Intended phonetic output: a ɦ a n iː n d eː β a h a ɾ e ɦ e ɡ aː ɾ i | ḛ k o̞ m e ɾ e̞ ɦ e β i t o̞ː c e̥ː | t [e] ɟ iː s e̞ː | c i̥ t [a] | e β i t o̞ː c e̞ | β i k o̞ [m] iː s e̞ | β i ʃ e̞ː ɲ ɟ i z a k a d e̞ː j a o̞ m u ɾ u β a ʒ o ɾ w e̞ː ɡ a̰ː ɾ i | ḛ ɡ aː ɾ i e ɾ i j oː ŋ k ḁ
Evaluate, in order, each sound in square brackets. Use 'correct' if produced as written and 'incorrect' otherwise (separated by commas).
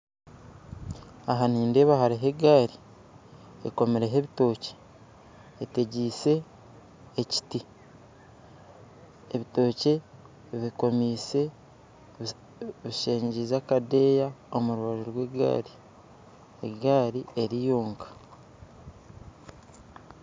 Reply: correct, incorrect, correct